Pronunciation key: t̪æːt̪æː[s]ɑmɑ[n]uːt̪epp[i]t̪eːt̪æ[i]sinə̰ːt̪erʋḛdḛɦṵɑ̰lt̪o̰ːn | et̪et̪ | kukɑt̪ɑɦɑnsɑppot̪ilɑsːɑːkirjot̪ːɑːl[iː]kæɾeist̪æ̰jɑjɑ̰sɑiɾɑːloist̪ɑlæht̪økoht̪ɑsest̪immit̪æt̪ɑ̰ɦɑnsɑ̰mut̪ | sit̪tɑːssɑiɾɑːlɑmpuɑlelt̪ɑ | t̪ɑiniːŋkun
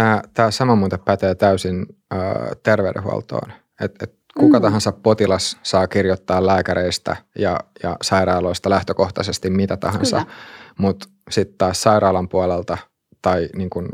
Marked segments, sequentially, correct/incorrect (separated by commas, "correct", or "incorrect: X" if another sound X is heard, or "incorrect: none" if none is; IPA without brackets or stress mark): correct, incorrect: m, incorrect: æ, incorrect: y, incorrect: æː